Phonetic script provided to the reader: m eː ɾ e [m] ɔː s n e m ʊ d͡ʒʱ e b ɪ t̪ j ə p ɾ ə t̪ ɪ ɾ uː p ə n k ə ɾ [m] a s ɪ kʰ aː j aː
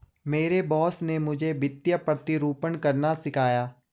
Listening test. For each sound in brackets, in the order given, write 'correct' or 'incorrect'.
incorrect, incorrect

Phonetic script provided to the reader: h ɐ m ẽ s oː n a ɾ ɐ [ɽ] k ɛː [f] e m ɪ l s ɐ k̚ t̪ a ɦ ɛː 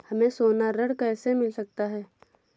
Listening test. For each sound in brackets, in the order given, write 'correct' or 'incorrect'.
correct, incorrect

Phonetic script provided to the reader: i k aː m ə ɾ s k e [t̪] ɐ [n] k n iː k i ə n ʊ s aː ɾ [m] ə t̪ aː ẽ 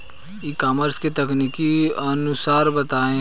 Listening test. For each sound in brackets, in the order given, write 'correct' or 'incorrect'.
correct, incorrect, incorrect

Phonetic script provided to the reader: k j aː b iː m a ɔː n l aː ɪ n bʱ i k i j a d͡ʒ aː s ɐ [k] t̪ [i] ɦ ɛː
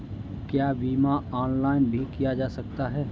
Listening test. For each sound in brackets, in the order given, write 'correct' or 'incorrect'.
correct, incorrect

